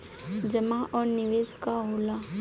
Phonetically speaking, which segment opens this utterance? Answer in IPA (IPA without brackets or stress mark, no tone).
d͡ʒ